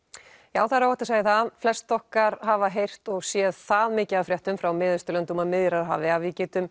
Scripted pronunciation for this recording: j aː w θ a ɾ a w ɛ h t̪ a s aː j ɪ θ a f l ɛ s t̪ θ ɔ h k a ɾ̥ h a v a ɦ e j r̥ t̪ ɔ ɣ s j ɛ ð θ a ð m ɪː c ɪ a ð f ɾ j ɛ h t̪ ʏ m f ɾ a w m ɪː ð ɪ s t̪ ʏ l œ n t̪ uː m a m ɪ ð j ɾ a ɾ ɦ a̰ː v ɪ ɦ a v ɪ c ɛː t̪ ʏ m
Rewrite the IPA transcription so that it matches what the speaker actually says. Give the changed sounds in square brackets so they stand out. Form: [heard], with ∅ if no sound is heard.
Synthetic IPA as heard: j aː w θ a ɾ a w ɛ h t̪ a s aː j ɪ θ a f l ɛ s t̪ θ ɔ h k a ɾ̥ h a v a ɦ e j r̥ t̪ ɔ ɣ s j ɛ ð θ a ð m ɪː c ɪ a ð f ɾ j ɛ h t̪ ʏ m f ɾ a w m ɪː ð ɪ s t̪ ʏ l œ n t̪ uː m a m ɪ ð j ɾ a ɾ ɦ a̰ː v ɪ [∅] a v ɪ c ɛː t̪ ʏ m